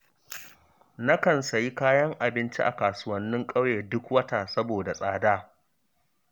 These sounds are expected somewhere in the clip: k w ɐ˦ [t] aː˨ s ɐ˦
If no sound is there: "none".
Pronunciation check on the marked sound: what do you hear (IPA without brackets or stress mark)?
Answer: t